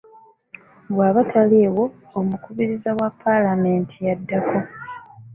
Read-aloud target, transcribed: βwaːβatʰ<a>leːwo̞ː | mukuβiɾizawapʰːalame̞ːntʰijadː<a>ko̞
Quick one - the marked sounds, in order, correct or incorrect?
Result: correct, correct

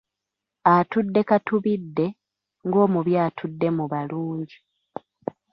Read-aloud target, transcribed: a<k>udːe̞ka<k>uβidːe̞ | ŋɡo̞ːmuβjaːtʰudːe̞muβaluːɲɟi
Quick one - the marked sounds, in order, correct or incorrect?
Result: incorrect: t, incorrect: t

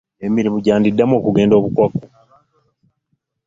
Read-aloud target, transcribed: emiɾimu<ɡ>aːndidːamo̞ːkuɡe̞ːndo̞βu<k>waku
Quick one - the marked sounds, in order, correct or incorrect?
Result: incorrect: ɟ, correct

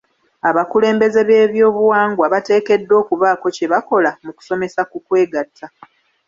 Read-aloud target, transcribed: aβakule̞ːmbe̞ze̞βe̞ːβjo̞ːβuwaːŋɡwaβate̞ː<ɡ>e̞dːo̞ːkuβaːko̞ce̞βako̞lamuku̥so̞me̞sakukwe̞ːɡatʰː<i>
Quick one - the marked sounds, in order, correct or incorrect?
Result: incorrect: k, incorrect: a

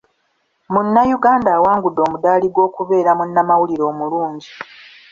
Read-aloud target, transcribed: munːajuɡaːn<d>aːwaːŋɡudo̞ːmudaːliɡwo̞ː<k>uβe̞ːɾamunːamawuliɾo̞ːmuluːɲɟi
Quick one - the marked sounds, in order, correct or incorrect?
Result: correct, correct

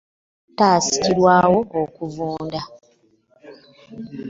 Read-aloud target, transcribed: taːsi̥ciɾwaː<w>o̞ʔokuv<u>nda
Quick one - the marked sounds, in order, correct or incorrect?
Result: correct, incorrect: uː

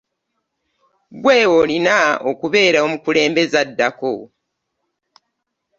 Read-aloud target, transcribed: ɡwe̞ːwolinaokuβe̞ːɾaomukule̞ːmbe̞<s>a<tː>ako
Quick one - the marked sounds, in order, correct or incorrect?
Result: incorrect: z, incorrect: dː

